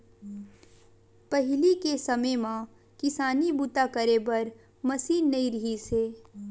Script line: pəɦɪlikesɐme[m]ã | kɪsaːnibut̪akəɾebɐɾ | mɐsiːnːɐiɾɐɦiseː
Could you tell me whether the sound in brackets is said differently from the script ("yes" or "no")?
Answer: no